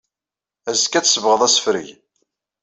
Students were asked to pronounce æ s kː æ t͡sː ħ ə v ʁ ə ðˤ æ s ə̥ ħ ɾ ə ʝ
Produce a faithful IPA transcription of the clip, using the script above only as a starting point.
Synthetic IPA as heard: æ z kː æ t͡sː s ə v ʁ ə ðˤ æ s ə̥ f ɾ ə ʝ